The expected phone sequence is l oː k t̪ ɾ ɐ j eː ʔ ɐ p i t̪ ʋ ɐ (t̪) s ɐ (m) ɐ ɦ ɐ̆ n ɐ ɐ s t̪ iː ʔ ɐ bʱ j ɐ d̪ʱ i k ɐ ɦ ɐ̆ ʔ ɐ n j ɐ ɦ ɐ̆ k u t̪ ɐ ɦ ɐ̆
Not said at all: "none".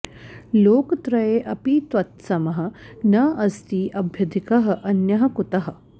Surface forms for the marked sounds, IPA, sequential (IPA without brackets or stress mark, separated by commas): t̪, m